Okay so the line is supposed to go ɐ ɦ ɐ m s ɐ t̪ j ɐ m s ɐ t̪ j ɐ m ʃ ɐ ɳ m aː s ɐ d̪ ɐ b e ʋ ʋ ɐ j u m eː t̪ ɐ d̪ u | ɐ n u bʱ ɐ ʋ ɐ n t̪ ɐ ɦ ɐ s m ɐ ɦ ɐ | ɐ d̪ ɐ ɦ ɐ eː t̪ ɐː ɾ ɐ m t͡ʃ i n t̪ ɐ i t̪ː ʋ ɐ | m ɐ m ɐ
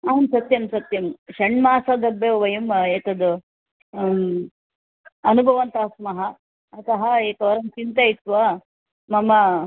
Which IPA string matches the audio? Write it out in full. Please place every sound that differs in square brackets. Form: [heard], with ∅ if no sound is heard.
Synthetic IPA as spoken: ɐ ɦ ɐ m s ɐ t̪ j ɐ m s ɐ t̪ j ɐ m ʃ ɐ ɳ m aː s ɐ d̪ ɐ b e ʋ ʋ ɐ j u m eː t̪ ɐ d̪ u | ɐ n u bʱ ɐ ʋ ɐ n t̪ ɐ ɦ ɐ s m ɐ ɦ ɐ | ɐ [t̪] ɐ ɦ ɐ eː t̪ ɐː ɾ ɐ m t͡ʃ i n t̪ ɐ i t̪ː ʋ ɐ | m ɐ m ɐ